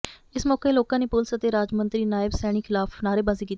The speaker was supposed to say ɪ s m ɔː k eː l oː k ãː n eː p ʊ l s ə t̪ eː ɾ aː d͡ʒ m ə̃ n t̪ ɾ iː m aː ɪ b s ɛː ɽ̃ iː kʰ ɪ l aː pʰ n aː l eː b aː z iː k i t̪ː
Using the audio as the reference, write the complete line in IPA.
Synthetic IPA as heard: ɪ s m ɔː k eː l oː k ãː n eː p ʊ l s ə t̪ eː ɾ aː d͡ʒ m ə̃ n t̪ ɾ iː n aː ɪ b s ɛː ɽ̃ iː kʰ ɪ l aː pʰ n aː ɾ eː b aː z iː k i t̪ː